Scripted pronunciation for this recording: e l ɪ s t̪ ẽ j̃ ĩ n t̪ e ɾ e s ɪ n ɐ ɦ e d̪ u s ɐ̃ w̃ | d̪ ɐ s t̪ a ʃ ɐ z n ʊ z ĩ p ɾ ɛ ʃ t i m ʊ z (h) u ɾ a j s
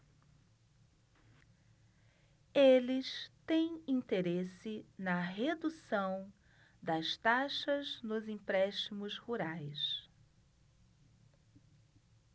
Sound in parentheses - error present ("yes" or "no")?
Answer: no